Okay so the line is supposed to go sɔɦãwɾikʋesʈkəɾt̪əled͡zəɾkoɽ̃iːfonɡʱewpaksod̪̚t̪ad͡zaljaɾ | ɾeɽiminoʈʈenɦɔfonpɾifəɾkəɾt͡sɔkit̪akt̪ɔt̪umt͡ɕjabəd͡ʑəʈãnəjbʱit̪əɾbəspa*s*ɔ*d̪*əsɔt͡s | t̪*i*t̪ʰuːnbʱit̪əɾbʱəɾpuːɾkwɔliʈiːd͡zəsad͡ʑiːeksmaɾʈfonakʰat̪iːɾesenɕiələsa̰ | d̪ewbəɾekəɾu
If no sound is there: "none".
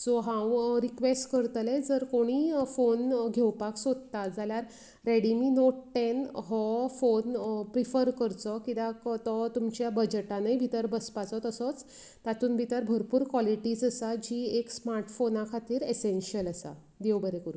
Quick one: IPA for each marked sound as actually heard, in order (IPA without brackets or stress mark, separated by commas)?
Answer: t͡s, t̪, a